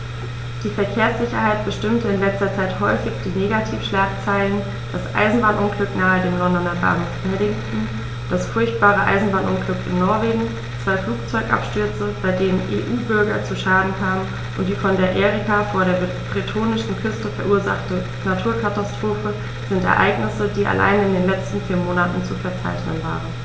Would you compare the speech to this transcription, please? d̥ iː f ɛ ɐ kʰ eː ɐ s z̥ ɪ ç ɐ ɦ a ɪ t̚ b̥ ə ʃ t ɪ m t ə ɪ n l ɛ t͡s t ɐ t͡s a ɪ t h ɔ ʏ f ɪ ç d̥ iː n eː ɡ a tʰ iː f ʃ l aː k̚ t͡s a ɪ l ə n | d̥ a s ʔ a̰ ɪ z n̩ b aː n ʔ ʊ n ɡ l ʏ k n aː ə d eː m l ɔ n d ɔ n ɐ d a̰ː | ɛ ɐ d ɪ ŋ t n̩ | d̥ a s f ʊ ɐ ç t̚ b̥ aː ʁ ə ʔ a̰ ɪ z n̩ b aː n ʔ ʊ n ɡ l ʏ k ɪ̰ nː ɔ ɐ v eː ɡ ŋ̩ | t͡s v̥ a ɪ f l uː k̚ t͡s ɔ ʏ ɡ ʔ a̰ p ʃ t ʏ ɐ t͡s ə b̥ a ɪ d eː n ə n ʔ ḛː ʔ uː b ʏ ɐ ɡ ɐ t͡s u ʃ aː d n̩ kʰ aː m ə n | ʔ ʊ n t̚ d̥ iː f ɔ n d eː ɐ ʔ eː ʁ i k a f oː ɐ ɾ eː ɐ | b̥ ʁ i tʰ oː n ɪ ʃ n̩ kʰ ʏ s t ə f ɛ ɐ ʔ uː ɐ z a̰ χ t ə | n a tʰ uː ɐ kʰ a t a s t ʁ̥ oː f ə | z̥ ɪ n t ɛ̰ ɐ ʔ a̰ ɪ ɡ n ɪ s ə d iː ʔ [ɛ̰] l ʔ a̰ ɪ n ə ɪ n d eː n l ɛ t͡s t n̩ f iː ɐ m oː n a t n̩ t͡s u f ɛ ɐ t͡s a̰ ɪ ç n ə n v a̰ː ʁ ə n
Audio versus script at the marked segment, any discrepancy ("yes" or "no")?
yes